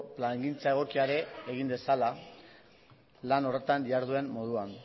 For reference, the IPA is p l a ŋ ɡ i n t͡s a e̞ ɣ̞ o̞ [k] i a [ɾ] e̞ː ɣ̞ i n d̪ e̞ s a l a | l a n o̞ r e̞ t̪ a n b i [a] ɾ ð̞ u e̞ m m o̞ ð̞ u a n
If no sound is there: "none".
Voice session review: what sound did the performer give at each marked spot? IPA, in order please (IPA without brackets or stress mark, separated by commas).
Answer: k, ɾ, a